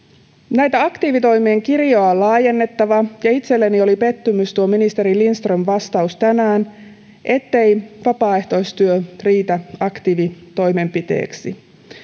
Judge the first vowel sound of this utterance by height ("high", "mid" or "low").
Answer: low